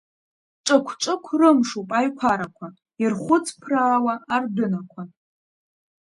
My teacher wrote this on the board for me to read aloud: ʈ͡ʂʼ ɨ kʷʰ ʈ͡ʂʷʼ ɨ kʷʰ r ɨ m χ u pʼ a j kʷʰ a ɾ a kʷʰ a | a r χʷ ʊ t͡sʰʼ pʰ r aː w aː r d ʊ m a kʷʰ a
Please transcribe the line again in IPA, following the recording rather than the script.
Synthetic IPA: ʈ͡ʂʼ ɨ kʷʰ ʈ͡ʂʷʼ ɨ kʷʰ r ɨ m ʂ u pʼ a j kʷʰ a ɾ a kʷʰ a | i r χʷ ʊ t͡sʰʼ pʰ r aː w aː r d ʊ n a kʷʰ a